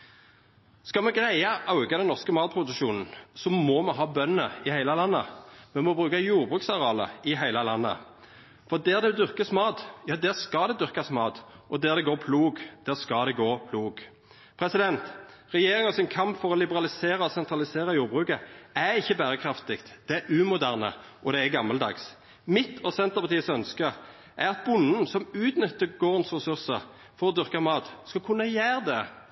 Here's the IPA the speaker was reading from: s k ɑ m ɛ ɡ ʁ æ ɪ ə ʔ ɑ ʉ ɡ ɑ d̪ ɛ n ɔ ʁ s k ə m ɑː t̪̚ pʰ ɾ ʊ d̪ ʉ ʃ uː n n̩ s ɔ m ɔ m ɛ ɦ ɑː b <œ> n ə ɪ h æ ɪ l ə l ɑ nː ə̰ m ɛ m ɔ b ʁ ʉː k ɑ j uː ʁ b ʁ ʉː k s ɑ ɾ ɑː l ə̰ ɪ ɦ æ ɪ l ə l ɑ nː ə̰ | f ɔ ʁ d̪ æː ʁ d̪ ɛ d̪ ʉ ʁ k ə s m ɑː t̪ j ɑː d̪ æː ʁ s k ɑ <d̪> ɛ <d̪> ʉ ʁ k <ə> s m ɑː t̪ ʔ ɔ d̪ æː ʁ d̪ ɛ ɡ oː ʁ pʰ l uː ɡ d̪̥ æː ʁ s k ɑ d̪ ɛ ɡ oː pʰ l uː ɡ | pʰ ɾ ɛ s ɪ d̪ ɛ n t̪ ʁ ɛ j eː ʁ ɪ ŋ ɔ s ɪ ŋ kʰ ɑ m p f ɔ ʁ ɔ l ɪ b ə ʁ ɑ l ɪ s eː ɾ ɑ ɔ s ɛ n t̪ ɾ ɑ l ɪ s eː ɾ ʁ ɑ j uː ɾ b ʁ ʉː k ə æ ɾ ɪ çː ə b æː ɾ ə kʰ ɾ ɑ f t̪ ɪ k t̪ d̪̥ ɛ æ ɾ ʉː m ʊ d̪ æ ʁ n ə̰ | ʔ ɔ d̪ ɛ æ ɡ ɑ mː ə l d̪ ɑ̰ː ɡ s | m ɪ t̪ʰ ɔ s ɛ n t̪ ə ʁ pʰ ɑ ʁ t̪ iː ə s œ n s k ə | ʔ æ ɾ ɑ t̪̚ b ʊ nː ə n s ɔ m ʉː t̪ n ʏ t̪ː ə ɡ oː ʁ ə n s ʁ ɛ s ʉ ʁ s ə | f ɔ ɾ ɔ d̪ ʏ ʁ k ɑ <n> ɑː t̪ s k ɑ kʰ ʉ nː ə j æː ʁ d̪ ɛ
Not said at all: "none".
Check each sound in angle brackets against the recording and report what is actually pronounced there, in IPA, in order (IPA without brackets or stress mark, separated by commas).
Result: œ, d̪, d̪, ɑ, m